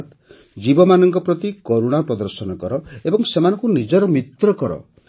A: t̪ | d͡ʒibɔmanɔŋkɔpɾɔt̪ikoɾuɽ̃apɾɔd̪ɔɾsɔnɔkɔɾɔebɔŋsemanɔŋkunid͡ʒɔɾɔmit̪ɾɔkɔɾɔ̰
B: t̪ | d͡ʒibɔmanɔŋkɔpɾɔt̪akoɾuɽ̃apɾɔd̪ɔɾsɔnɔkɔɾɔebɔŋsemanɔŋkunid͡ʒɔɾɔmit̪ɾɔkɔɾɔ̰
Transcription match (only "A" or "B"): A